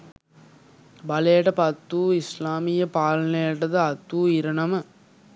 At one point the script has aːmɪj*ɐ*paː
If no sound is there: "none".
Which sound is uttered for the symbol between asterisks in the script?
ɐ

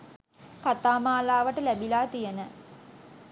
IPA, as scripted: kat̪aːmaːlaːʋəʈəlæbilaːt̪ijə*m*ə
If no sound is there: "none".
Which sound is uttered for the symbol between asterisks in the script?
n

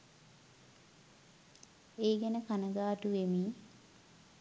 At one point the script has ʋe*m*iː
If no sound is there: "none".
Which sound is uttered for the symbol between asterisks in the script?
m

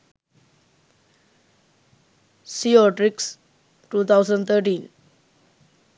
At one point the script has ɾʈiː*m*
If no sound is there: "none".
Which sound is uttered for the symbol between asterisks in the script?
n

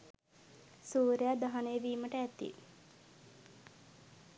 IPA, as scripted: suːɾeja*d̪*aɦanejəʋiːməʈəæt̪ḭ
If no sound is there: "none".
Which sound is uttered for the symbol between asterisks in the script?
d̪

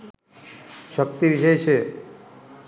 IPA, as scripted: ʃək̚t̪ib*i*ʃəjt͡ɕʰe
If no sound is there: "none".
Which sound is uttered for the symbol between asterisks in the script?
i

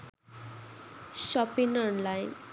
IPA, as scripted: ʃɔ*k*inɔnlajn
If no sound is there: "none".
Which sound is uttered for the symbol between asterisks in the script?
p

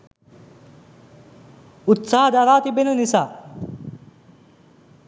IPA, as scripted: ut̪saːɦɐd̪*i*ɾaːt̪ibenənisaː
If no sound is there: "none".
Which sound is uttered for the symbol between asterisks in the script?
a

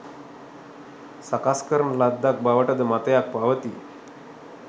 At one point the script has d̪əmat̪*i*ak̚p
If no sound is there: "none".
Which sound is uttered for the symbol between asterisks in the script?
j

